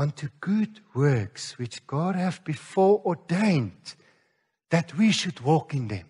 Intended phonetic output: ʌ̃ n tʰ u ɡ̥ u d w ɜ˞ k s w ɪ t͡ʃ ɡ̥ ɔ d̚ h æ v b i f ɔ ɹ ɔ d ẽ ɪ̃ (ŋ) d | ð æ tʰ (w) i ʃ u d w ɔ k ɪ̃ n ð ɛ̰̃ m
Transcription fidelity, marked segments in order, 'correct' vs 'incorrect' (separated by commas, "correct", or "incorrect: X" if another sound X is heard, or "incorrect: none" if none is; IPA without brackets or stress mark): incorrect: n, correct